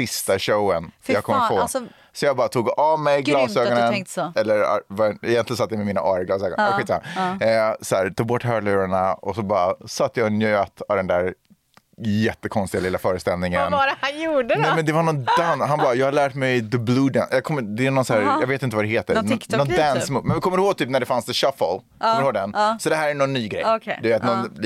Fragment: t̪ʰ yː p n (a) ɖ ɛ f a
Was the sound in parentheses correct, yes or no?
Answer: no